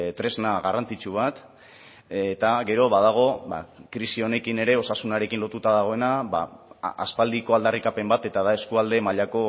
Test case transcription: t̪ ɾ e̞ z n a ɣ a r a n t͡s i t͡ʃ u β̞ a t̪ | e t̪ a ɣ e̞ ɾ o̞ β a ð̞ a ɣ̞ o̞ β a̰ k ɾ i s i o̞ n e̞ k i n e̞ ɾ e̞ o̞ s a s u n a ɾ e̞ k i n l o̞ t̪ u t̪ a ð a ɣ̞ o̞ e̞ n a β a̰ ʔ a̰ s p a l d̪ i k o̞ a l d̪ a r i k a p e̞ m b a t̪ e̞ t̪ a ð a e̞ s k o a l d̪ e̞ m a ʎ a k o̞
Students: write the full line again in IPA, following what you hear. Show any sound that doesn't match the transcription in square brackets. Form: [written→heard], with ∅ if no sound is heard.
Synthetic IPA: t̪ ɾ e̞ z n a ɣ a r a n t͡s i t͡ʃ u β̞ a t̪ | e t̪ a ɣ e̞ ɾ o̞ β a ð̞ a ɣ̞ o̞ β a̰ k ɾ i s i o̞ n e̞ k i n e̞ ɾ e̞ o̞ s a s u n a ɾ e̞ k i n l o̞ t̪ u t̪ a ð a ɣ̞ o̞ e̞ n a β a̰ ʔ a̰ s p a l d̪ i k o̞ a l d̪ a r i k a p e̞ m b a t̪ e̞ t̪ a ð a e̞ s k [o→u] a l d̪ e̞ m a ʎ a k o̞

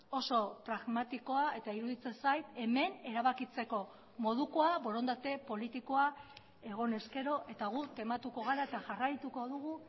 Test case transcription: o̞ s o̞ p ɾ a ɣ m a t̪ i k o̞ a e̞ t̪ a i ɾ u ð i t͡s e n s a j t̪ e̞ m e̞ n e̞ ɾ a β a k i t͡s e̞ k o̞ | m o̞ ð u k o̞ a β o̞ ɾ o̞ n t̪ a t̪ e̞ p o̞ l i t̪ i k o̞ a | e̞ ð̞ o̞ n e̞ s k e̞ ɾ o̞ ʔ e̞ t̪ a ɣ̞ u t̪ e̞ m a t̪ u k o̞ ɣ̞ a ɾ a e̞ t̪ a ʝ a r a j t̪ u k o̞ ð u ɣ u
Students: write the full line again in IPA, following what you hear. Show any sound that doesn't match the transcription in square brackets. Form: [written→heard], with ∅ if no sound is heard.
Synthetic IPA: o̞ s o̞ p ɾ a ɣ m a t̪ i k o̞ a e̞ t̪ a i ɾ u ð i t͡s e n s a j t̪ e̞ m e̞ n e̞ ɾ a β a k i t͡s e̞ k o̞ | m o̞ ð u k o̞ a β o̞ ɾ o̞ n [t̪→d̪] a t̪ e̞ p o̞ l i t̪ i k o̞ a | e̞ [ð̞→ɣ̞] o̞ n e̞ s k e̞ ɾ o̞ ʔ e̞ t̪ a ɣ̞ u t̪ e̞ m a t̪ u k o̞ ɣ̞ a ɾ a e̞ t̪ a ʝ a r a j t̪ u k o̞ ð u ɣ u

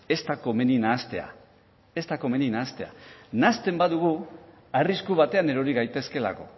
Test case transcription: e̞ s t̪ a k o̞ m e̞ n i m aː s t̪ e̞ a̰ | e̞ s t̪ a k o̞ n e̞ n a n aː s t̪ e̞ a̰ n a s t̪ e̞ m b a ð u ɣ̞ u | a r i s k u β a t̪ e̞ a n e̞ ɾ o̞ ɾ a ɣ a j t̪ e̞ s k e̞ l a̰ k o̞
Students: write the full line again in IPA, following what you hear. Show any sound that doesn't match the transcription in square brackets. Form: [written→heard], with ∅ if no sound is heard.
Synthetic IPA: e̞ s t̪ a k o̞ m e̞ n i [m→n] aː s t̪ e̞ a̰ | e̞ s t̪ a k o̞ [n→m] e̞ n [a→i] n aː s t̪ e̞ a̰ n a s t̪ e̞ m b a ð u ɣ̞ u | a r i s k u β a t̪ e̞ a n e̞ ɾ o̞ ɾ [a→i] ɣ a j t̪ e̞ s k e̞ l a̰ k o̞

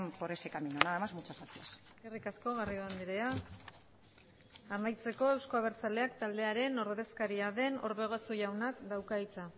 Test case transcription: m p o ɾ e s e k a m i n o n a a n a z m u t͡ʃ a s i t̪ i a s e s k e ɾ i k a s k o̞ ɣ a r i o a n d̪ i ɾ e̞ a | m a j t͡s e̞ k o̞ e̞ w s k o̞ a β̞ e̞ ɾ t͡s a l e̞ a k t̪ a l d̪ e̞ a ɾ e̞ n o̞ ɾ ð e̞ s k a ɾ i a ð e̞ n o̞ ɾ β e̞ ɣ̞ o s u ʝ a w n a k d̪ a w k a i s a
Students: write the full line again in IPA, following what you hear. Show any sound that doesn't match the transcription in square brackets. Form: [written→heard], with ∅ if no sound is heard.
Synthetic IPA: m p o ɾ e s e k a m i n o n a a [n→m] a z m u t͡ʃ a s [i→a] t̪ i a s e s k e [ɾ→r] i k a s k o̞ ɣ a r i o a n d̪ i ɾ e̞ a | m a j t͡s e̞ k o̞ e̞ w s k o̞ a β̞ e̞ ɾ t͡s a l e̞ a k t̪ a l d̪ e̞ a ɾ e̞ n o̞ ɾ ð e̞ s k a ɾ i a ð e̞ n o̞ ɾ β e̞ ɣ̞ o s u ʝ a w n a k d̪ a w k a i [s→t͡s] a

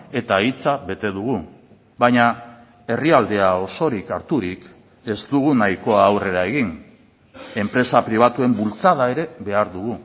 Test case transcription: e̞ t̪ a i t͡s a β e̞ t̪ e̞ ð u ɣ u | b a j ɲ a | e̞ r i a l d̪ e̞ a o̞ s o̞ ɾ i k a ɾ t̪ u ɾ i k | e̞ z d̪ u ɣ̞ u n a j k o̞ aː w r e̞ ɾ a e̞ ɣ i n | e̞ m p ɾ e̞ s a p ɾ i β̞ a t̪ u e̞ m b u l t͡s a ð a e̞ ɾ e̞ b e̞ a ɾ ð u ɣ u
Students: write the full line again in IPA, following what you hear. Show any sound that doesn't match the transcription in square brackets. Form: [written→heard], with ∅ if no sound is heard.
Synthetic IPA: e̞ t̪ a i t͡s a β e̞ t̪ e̞ ð u ɣ u | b a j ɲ a | e̞ r i a l d̪ e̞ a o̞ s o̞ ɾ i k a ɾ t̪ u ɾ i k | e̞ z d̪ u ɣ̞ u n a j k o̞ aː w r e̞ ɾ a e̞ ɣ i n | e̞ m p ɾ e̞ s a p ɾ i β̞ a t̪ u e̞ m b u l t͡s a ð a e̞ ɾ e̞ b e̞ a ɾ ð u ɣ u

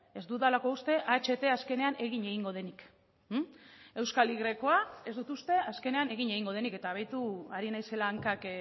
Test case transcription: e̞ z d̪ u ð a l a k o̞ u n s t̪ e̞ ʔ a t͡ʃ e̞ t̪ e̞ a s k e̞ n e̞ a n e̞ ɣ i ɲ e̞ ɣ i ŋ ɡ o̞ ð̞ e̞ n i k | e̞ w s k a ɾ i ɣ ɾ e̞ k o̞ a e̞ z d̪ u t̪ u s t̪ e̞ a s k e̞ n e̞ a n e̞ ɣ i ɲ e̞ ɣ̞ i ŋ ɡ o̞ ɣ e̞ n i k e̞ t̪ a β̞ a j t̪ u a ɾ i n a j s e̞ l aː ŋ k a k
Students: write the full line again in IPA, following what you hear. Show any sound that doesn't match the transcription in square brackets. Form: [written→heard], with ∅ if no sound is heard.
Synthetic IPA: e̞ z d̪ u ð a l a k o̞ u [n→∅] s t̪ e̞ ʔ a t͡ʃ e̞ t̪ e̞ a s k e̞ n e̞ a n e̞ ɣ i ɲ e̞ ɣ i ŋ ɡ o̞ ð̞ e̞ n i k | e̞ w s k a [ɾ→l] i ɣ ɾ e̞ k o̞ a e̞ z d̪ u t̪ u s t̪ e̞ a s k e̞ n e̞ a n e̞ ɣ i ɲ e̞ ɣ̞ i ŋ ɡ o̞ [ɣ→ð] e̞ n i k e̞ t̪ a β̞ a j t̪ u a ɾ i n a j s e̞ l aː ŋ k a k

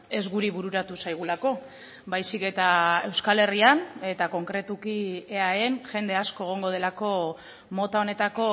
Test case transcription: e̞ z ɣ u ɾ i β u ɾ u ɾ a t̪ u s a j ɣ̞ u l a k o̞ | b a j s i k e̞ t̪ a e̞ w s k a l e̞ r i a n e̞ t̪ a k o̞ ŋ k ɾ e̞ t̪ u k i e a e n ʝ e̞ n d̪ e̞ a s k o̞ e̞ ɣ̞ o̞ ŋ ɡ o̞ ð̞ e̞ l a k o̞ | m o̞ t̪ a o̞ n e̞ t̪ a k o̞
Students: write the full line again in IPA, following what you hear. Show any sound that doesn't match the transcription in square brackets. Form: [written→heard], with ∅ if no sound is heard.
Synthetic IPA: e̞ z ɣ u ɾ i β u ɾ u ɾ a t̪ u s a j ɣ̞ u l a k o̞ | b a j s i k e̞ t̪ a e̞ w s k a l e̞ r i a n e̞ t̪ a k o̞ ŋ k ɾ e̞ t̪ u k i e a e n ʝ e̞ n d̪ e̞ a s k o̞ e̞ ɣ̞ o̞ ŋ ɡ o̞ ð̞ e̞ l a k o̞ | m o̞ t̪ a o̞ n e̞ t̪ a k o̞

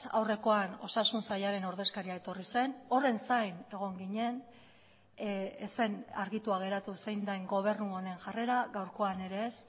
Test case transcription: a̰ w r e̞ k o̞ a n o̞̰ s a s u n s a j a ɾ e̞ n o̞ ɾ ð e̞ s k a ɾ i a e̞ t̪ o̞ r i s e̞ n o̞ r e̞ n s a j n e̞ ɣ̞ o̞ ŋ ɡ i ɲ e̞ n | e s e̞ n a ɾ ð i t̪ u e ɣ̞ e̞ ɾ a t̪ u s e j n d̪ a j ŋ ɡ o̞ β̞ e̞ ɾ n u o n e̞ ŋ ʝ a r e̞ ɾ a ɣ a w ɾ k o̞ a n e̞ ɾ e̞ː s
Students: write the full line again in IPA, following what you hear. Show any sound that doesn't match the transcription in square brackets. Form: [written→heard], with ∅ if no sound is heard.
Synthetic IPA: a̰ w r e̞ k o̞ a n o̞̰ s a s u n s a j a ɾ e̞ n o̞ ɾ ð e̞ s k a ɾ i a e̞ t̪ o̞ r i s e̞ n o̞ r e̞ n s a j n e̞ ɣ̞ o̞ ŋ ɡ i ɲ e̞ n | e s e̞ n a ɾ [ð→ɣ] i t̪ u [e→a] ɣ̞ e̞ ɾ a t̪ u s e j n d̪ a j ŋ ɡ o̞ β̞ e̞ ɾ n u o n e̞ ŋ ʝ a r e̞ ɾ a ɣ a w ɾ k o̞ a n e̞ ɾ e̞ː s

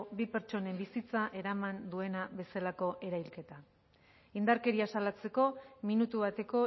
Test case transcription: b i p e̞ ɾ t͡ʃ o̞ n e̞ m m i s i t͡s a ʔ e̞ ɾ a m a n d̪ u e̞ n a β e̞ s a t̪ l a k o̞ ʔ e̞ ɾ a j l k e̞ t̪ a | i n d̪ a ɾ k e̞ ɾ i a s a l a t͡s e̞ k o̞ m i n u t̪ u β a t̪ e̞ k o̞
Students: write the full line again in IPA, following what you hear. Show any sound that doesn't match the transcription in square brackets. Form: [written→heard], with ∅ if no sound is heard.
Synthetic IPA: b i p e̞ ɾ t͡ʃ o̞ n e̞ m [m→b] i s i t͡s a ʔ e̞ ɾ a m a n d̪ u e̞ n a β e̞ s a [t̪→∅] l a k o̞ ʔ e̞ ɾ a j l k e̞ t̪ a | i n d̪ a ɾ k e̞ ɾ i a s a l a t͡s e̞ k o̞ m i n u t̪ u β a t̪ e̞ k o̞

